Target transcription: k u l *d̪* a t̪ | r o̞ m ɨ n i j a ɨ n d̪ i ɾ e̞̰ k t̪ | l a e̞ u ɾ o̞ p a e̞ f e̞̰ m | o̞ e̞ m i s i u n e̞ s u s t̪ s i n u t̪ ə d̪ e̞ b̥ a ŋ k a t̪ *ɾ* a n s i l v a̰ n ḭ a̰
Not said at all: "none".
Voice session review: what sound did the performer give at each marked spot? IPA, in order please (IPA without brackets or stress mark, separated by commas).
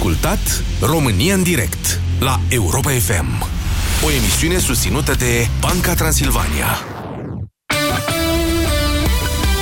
t̪, ɾ